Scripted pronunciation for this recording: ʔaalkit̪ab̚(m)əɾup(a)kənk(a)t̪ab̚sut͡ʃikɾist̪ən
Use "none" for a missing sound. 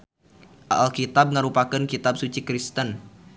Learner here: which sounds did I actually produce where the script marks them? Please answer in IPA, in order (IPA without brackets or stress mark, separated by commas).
ŋ, a, i